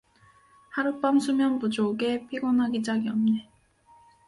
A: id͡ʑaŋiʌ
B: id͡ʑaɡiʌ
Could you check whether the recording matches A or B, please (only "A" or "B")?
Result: B